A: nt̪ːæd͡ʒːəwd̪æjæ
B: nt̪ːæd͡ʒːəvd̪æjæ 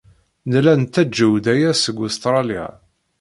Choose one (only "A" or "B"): A